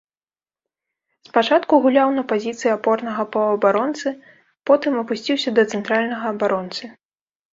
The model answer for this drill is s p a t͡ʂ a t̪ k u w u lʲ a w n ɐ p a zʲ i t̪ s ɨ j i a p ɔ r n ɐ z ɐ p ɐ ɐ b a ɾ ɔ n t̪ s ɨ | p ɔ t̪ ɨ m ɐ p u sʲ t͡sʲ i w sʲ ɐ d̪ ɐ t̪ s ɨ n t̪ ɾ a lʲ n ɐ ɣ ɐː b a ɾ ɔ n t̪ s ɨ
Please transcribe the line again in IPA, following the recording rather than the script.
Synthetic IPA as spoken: s p a t͡ʂ a t̪ k u ɣ u lʲ a w n ɐ p a zʲ i t̪ s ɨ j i a p ɔ r n ɐ ɣ ɐ p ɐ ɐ b a ɾ ɔ n t̪ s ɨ | p ɔ t̪ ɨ m ɐ p u sʲ t͡sʲ i w sʲ ɐ d̪ ɐ t̪ s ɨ n t̪ ɾ a lʲ n ɐ ɣ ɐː b a ɾ ɔ n t̪ s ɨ